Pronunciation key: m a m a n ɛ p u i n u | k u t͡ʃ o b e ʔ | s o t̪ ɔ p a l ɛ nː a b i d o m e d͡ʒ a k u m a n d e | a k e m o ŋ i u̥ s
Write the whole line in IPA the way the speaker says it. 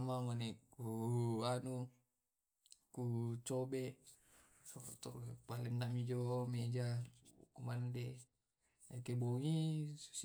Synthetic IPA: m a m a n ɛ k u a n u | k u t͡ʃ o b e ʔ | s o t̪ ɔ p a l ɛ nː a m i d͡ʒ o m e d͡ʒ a k u m a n d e | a k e b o ŋ i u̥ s